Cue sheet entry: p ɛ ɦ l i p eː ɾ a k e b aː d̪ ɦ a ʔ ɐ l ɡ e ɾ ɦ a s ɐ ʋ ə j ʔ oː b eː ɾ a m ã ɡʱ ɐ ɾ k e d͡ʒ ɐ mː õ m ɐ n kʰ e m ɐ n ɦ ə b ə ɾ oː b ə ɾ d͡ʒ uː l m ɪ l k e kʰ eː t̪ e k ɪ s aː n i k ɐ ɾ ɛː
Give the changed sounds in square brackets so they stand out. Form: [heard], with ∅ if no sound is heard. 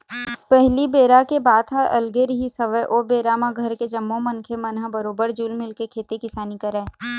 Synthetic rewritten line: p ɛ ɦ l i [b] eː ɾ a k e b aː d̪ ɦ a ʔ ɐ l ɡ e ɾ ɦ [i] s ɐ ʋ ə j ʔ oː b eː ɾ a m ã ɡʱ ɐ ɾ k e d͡ʒ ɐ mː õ m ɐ n kʰ e m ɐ n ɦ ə b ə ɾ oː b ə ɾ d͡ʒ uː l m ɪ l k e kʰ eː t̪ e k ɪ s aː n i k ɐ ɾ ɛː